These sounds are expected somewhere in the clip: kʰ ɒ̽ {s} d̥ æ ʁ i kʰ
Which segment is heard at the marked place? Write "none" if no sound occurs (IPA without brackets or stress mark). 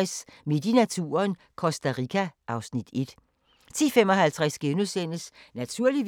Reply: s